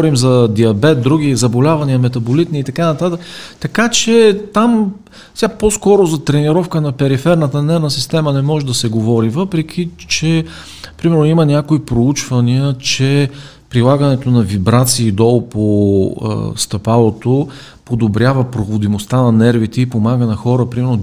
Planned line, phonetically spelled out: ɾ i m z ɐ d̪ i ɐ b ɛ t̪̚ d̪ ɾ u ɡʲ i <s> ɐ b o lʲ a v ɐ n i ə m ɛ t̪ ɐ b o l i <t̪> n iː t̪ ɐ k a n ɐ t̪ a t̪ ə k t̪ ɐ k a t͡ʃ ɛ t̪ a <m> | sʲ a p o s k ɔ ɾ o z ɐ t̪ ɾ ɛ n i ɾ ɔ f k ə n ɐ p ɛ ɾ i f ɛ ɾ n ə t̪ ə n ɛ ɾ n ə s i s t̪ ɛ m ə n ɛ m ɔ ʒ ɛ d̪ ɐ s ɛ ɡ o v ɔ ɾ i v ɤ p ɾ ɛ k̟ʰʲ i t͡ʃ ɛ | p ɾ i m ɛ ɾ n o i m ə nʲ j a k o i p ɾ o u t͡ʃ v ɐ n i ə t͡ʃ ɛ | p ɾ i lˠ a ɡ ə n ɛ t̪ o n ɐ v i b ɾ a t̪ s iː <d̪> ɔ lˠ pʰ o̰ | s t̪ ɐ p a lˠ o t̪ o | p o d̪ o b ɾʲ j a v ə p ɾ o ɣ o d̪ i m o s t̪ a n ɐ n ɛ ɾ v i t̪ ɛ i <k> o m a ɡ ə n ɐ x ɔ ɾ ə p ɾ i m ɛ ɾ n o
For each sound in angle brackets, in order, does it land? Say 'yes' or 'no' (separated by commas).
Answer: no, yes, yes, yes, no